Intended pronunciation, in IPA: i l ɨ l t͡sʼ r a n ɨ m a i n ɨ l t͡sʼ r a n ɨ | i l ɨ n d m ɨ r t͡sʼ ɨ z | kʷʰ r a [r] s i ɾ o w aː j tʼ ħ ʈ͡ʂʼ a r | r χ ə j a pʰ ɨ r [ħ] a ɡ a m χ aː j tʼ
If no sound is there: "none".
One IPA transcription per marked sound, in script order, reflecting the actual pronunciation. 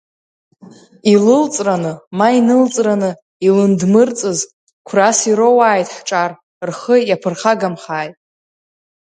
none, χ

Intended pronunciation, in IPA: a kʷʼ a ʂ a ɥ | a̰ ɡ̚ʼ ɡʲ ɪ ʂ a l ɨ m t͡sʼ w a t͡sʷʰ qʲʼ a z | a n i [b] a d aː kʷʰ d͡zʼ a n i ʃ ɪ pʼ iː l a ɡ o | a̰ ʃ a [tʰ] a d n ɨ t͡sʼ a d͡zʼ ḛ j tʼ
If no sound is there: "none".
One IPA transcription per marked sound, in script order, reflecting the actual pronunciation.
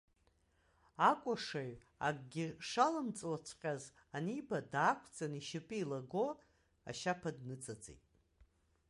b, pʰ

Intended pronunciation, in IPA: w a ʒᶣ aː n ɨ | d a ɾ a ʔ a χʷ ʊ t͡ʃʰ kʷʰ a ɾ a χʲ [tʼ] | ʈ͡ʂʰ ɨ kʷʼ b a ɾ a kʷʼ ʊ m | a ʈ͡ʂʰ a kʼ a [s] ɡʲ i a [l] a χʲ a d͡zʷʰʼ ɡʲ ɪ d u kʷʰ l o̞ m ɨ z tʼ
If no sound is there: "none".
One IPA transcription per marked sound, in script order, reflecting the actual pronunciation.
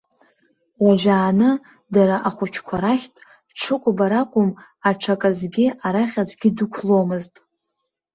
tʼ, z, ɾ

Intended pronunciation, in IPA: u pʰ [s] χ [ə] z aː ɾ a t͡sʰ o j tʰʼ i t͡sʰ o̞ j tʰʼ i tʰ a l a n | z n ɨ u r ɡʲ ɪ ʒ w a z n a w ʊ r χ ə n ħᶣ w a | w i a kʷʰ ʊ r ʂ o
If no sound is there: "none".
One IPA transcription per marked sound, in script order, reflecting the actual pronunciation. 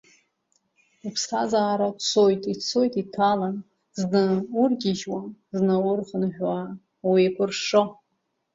s, a

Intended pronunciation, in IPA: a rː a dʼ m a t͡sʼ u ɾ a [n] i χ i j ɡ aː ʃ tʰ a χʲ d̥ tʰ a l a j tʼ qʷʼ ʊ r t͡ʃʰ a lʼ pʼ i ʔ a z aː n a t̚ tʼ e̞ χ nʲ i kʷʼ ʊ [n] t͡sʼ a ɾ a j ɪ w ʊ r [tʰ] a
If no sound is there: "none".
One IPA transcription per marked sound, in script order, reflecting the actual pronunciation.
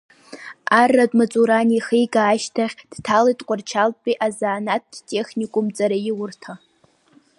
n, m, tʰ

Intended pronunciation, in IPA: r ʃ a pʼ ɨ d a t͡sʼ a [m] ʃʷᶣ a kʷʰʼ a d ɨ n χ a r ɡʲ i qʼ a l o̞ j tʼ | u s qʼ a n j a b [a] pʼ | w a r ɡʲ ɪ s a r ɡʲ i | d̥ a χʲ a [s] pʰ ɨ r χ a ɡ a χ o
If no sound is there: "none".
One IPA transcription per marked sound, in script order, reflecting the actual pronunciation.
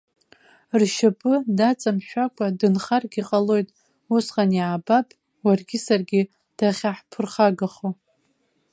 m, a, ħ

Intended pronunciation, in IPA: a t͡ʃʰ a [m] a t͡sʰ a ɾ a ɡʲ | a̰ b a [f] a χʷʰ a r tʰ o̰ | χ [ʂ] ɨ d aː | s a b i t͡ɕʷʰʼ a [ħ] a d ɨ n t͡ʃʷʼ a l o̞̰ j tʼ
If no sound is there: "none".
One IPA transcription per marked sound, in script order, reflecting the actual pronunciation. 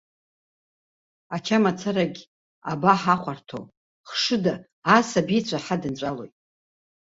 m, ħ, ʂ, ħ

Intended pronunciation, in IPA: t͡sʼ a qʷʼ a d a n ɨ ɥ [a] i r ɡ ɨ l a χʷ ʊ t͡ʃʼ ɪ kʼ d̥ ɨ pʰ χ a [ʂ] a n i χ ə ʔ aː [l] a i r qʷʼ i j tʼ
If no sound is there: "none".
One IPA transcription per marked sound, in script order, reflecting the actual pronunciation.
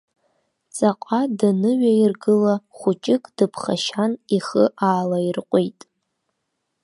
a, ʃ, l

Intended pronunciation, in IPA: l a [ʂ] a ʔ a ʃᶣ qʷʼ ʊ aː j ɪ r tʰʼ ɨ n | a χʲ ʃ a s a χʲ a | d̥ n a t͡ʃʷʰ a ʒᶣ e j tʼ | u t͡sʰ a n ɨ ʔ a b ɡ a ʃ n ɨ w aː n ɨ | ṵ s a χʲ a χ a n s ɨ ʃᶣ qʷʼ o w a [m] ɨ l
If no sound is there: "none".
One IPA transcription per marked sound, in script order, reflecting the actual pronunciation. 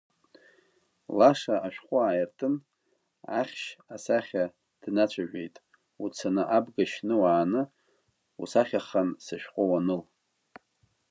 ʂ, n

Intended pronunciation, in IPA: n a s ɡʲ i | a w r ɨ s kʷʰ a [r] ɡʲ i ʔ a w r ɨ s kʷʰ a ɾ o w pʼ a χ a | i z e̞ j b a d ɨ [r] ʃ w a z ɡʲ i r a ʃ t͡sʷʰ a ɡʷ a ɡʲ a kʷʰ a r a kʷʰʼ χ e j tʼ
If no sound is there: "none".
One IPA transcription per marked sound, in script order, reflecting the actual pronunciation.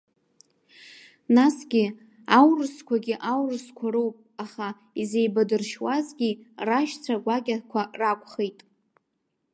none, r

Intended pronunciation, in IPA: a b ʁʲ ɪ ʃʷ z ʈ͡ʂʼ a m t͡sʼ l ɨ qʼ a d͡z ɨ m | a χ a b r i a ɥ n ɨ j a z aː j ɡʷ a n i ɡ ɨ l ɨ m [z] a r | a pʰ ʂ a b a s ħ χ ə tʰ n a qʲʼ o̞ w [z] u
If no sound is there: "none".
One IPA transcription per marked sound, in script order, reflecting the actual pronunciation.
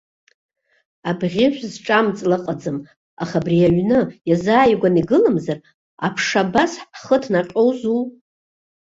z, z

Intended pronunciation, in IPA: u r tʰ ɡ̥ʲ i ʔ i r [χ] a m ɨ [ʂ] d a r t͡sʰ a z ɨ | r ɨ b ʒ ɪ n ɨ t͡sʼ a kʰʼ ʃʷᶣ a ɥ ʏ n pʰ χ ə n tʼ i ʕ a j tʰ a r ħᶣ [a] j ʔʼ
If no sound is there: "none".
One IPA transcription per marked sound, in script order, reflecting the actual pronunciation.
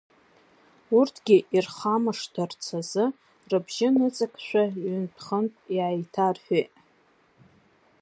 χ, ʂ, e

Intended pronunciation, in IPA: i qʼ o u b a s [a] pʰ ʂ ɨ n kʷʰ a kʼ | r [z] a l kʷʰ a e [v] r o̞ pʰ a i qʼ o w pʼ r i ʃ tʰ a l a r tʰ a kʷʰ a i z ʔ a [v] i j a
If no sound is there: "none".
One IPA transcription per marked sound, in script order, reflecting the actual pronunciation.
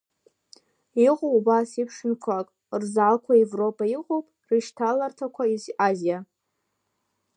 i, z, v, z

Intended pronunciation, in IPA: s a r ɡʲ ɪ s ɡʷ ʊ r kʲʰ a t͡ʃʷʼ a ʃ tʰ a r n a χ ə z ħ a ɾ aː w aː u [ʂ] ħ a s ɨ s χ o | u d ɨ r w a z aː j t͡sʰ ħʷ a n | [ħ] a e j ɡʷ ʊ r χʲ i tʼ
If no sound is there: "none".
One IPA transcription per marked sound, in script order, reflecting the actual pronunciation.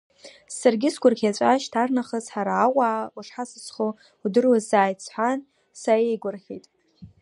ʂ, s

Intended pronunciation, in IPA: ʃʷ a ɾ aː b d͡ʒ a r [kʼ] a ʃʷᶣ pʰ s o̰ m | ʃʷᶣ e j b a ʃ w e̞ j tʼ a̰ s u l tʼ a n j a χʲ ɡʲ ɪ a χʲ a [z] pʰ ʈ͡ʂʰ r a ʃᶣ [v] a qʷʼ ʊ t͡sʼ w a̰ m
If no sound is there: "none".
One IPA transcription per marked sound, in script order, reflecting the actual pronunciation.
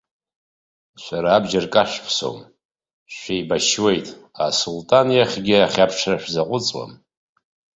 kʼ, none, z

